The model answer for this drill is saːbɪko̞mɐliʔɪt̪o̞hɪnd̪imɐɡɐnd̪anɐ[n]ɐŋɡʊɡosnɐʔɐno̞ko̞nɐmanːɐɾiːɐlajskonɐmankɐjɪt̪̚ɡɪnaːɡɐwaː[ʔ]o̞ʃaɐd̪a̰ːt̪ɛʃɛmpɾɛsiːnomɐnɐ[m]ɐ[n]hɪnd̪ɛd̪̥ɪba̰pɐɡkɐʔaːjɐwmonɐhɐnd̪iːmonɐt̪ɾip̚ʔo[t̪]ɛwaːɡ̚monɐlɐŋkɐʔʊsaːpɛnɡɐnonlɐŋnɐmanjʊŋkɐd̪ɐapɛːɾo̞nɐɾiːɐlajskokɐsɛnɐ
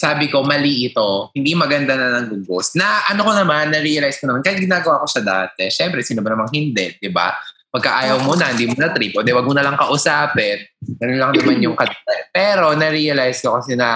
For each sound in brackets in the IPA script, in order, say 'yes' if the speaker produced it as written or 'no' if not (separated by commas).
yes, no, yes, no, no